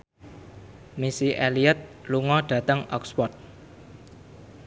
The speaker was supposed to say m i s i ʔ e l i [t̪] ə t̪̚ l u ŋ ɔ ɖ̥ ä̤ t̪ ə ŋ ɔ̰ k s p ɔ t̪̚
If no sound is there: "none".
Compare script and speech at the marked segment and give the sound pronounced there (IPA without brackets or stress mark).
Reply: none